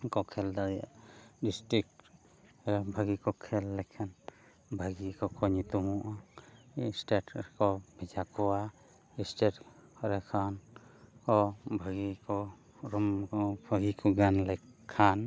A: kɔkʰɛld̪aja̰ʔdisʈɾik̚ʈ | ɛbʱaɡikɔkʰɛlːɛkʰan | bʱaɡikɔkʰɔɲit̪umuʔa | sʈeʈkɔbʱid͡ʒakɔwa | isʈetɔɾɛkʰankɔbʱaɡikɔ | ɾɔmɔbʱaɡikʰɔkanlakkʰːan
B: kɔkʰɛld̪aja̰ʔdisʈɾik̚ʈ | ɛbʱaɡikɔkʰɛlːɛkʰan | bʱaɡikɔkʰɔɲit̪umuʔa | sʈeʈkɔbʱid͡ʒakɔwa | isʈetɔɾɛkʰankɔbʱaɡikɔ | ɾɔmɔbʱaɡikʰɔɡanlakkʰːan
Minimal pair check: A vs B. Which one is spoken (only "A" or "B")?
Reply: B